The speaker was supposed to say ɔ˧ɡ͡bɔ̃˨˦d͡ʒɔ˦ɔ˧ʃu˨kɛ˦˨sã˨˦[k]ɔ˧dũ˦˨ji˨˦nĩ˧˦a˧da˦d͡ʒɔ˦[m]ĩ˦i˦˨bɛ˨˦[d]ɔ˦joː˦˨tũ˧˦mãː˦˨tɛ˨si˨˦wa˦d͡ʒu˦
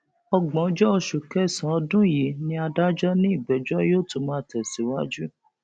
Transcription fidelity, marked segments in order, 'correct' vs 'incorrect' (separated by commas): incorrect, incorrect, incorrect